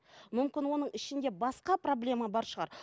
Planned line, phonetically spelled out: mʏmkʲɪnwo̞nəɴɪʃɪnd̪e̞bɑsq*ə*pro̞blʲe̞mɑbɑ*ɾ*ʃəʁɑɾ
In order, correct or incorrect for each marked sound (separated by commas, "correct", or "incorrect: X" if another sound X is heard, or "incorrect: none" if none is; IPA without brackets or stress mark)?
incorrect: ɑ, correct